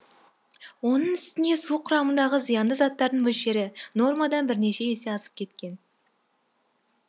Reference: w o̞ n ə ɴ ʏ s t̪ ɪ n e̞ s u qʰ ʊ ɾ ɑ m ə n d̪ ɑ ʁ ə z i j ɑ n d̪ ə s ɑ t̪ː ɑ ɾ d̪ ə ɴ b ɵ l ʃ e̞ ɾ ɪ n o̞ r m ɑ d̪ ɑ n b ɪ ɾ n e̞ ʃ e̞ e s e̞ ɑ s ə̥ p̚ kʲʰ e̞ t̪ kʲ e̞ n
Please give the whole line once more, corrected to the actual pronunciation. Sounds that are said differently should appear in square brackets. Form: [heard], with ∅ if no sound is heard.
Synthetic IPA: w o̞ n ə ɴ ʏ s t̪ ɪ n e̞ s u qʰ ʊ ɾ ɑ m ə n d̪ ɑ ʁ ə z i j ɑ n d̪ ə [z] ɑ t̪ː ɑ ɾ d̪ ə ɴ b ɵ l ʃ e̞ ɾ ɪ n o̞ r m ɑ d̪ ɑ n b ɪ ɾ n e̞ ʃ e̞ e s e̞ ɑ s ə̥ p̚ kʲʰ e̞ t̪ kʲ e̞ n